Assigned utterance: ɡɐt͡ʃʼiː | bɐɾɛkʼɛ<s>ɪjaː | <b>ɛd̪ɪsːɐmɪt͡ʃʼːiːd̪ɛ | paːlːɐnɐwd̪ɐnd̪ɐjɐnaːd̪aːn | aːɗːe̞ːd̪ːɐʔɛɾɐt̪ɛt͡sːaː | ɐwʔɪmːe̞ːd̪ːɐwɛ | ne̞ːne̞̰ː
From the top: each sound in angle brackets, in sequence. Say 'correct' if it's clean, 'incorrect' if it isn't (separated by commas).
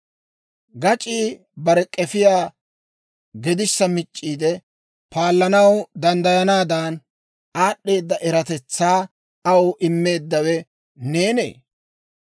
incorrect, incorrect